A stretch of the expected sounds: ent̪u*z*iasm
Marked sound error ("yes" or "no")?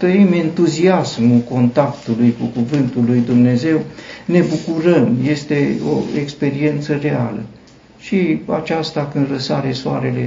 no